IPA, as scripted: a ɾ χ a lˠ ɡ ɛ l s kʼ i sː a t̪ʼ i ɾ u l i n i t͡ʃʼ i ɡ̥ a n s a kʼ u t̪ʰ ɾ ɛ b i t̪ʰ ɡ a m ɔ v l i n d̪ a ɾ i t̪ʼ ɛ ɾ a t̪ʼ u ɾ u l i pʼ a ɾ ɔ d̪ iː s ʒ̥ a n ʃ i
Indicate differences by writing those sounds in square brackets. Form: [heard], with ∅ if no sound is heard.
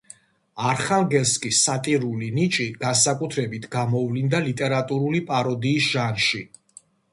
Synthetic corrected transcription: a ɾ χ a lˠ ɡ ɛ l s kʼ i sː a t̪ʼ i ɾ u l i n i t͡ʃʼ i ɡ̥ a n s a kʼ u t̪ʰ ɾ ɛ b i t̪ʰ ɡ a m ɔ v l i n d̪ a [l] i t̪ʼ ɛ ɾ a t̪ʼ u ɾ u l i pʼ a ɾ ɔ d̪ iː s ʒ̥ a n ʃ i

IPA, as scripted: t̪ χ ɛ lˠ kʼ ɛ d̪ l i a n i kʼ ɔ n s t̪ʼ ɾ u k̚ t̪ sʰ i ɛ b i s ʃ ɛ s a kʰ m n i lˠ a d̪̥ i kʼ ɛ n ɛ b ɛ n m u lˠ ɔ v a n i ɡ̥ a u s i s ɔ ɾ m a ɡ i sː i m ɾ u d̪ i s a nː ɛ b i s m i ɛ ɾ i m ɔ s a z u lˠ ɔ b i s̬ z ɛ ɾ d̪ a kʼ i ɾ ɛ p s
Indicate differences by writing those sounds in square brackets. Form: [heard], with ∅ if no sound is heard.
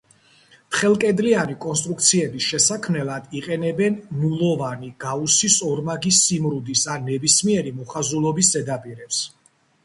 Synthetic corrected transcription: t̪ χ ɛ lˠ kʼ ɛ d̪ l i a n i kʼ ɔ n s t̪ʼ ɾ u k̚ t̪ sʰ i ɛ b i s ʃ ɛ s a kʰ m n [ɛ] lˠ a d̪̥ i [qʼ] ɛ n ɛ b ɛ n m u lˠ ɔ v a n i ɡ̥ a u s i s ɔ ɾ m a ɡ i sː i m ɾ u d̪ i s a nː ɛ b i s m i ɛ ɾ i m ɔ [χ] a z u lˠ ɔ b i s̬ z ɛ [∅] d̪ a [pʼ] i ɾ ɛ p s

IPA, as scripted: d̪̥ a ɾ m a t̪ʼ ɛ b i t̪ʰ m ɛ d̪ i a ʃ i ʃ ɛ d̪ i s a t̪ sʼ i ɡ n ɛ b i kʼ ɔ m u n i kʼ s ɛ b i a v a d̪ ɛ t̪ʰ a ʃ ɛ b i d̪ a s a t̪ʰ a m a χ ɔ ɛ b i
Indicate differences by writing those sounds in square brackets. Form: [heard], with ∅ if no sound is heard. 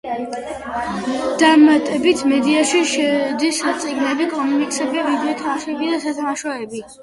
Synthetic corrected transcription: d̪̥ a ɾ m a t̪ʼ ɛ b i t̪ʰ m ɛ d̪ i a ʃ i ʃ ɛ d̪ i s a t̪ sʼ i ɡ n ɛ b i kʼ ɔ m u n i kʼ s ɛ b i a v [i] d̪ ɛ t̪ʰ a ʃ ɛ b i d̪ a s a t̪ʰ a m a [ʃ] ɔ ɛ b i

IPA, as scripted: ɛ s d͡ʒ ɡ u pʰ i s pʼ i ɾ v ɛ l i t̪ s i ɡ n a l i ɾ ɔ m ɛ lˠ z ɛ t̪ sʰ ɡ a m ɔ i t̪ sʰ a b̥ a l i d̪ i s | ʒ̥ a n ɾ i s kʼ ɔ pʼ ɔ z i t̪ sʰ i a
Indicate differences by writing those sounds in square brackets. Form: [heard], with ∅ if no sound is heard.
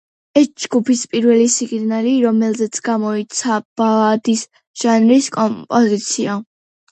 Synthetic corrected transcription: ɛ s d͡ʒ ɡ u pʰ i s pʼ i ɾ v ɛ l i [∅] s i ɡ n a l i ɾ ɔ m ɛ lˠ z ɛ t̪ sʰ ɡ a m ɔ i t̪ sʰ a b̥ a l [a] d̪ i s | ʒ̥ a n ɾ i s kʼ ɔ pʼ ɔ z i t̪ sʰ i a

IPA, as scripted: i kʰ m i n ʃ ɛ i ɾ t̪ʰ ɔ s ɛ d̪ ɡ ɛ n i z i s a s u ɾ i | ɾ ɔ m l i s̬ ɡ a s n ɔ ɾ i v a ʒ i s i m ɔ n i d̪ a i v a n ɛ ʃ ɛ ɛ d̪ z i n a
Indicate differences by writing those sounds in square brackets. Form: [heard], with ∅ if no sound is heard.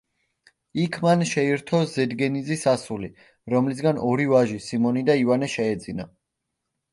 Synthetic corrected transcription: i kʰ m [a] n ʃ ɛ i ɾ t̪ʰ ɔ [z] ɛ d̪ ɡ ɛ n i z i s a s u [l] i | ɾ ɔ m l i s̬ ɡ a [∅] n ɔ ɾ i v a ʒ i s i m ɔ n i d̪ a i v a n ɛ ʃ ɛ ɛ d̪ z i n a

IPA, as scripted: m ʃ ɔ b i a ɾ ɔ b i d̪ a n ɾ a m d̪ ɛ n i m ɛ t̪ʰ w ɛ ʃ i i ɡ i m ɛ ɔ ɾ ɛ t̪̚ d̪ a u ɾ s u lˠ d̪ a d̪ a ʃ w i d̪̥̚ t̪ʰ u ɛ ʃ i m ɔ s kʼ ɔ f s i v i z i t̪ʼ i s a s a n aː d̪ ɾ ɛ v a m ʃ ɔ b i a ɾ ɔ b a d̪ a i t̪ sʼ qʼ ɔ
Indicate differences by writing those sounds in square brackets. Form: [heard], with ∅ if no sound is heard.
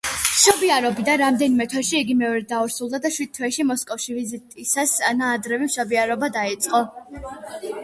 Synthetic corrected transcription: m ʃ ɔ b i a ɾ ɔ b i d̪ a n ɾ a m d̪ ɛ n i m ɛ t̪ʰ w ɛ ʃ i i ɡ i m ɛ ɔ ɾ ɛ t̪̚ d̪ a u ɾ s u lˠ d̪ a d̪ a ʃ w i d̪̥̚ t̪ʰ [w] ɛ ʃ i m ɔ s kʼ ɔ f [ʃ] i v i z i t̪ʼ i s a s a n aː d̪ ɾ ɛ v [i] m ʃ ɔ b i a ɾ ɔ b a d̪ a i t̪ sʼ qʼ ɔ

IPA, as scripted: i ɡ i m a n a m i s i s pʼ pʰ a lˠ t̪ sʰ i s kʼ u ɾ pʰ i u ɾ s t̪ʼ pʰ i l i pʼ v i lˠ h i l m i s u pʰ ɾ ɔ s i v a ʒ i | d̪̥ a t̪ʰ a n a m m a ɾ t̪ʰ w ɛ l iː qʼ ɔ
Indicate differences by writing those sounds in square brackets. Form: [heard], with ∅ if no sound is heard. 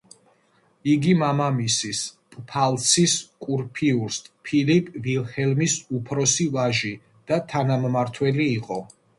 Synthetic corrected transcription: i ɡ i m a [m] a m i s i s pʼ pʰ a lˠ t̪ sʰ i s kʼ u ɾ pʰ i u ɾ s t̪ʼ pʰ i l i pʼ v i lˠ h [ɛ] l m i s u pʰ ɾ ɔ s i v a ʒ i | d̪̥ a t̪ʰ a n a m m a ɾ t̪ʰ w ɛ l iː qʼ ɔ

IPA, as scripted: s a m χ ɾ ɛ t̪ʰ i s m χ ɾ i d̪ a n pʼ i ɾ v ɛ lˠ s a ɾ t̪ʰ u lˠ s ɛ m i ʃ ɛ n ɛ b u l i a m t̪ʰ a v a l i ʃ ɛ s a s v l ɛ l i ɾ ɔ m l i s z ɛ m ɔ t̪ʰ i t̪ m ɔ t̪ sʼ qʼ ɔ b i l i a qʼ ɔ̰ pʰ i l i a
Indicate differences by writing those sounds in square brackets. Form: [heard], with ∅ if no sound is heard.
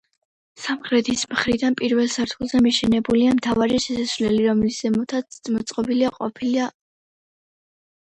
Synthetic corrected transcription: s a m χ ɾ ɛ t̪ʰ i s m χ ɾ i d̪ a n pʼ i ɾ v ɛ lˠ s a ɾ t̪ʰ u lˠ [z] ɛ m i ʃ ɛ n ɛ b u l i a m t̪ʰ a v a [ɾ] i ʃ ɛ s a s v l ɛ l i ɾ ɔ m l i s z ɛ m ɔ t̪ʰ [a] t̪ m ɔ t̪ sʼ qʼ ɔ b i l i a qʼ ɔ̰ pʰ i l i a

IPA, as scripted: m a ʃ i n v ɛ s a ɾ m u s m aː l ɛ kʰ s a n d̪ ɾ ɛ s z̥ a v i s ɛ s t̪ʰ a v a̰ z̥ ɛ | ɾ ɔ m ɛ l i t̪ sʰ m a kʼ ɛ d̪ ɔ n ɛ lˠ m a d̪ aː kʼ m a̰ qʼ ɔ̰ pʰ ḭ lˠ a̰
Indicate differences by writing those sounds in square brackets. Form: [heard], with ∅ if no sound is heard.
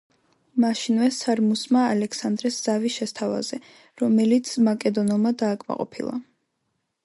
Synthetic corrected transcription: m a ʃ i n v ɛ s a ɾ m u s m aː l ɛ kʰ s a n d̪ ɾ ɛ s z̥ a v i [ʃ] ɛ s t̪ʰ a v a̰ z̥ ɛ | ɾ ɔ m ɛ l i t̪ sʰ m a kʼ ɛ d̪ ɔ n ɛ lˠ m a d̪ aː kʼ m a̰ qʼ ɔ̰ pʰ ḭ lˠ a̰

